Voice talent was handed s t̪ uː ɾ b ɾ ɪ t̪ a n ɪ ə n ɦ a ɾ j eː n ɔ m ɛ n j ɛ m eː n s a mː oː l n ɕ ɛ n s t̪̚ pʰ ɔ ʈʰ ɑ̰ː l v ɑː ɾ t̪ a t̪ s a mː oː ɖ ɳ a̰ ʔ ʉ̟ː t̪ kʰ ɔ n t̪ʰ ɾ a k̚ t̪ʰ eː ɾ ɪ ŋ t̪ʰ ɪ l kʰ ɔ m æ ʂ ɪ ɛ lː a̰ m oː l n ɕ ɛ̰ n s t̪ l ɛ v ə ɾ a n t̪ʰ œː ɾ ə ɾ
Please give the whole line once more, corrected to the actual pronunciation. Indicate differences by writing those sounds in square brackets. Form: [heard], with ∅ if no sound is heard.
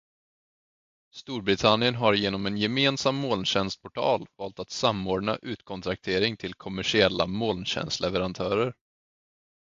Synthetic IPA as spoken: s t̪ uː ɾ b ɾ ɪ [t̪ʰ] a n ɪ ə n ɦ a ɾ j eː n ɔ m ɛ n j ɛ m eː n s a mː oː l n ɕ ɛ n s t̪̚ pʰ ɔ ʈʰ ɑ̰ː l v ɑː [l] t̪ a t̪ s a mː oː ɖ ɳ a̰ ʔ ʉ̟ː t̪ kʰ ɔ n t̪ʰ ɾ a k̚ t̪ʰ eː ɾ ɪ ŋ t̪ʰ ɪ l kʰ ɔ m æ ʂ ɪ ɛ lː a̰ m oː l n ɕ ɛ̰ n s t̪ l ɛ v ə ɾ a n t̪ʰ œː ɾ ə ɾ

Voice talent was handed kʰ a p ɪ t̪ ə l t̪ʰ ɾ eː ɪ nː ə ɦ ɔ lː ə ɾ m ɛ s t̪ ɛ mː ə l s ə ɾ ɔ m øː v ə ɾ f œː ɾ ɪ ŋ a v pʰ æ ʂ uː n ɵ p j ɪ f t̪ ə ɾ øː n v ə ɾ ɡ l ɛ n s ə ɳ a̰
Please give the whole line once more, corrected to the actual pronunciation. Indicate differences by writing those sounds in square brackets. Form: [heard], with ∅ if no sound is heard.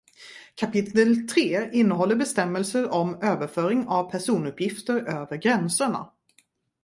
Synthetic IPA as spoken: kʰ a p ɪ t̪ ə l t̪ʰ ɾ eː ɪ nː ə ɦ ɔ lː ə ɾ [b] ɛ s t̪ ɛ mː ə l s ə ɾ ɔ m øː v ə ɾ f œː ɾ ɪ ŋ a v pʰ æ ʂ uː n ɵ p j ɪ f t̪ ə ɾ øː [∅] v ə ɾ ɡ [ɾ] ɛ n s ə ɳ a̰

